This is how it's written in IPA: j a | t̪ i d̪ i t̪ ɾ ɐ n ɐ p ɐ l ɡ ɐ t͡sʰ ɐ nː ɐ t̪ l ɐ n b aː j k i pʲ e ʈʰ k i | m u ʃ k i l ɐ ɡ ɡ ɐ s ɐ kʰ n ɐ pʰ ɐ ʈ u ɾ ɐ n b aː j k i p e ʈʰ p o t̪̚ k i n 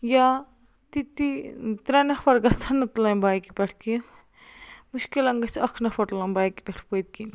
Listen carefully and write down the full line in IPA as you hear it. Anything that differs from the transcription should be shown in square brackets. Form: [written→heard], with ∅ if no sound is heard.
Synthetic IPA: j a | t̪ i [d̪→t̪] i t̪ ɾ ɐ n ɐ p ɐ [l→ɾ] ɡ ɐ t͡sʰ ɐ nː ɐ t̪ l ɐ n b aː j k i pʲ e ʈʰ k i | m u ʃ k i l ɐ [ɡ→ŋ] ɡ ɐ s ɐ kʰ n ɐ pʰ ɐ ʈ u [ɾ→l] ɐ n b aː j k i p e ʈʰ p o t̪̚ k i n